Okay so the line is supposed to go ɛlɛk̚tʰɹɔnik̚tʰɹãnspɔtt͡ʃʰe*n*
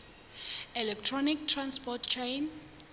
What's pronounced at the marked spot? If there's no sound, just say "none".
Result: n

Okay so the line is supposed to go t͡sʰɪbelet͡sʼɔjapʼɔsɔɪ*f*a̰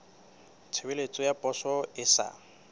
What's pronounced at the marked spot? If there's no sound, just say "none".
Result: s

